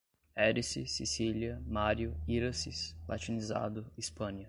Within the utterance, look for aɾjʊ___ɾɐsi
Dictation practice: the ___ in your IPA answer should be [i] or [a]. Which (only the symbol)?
i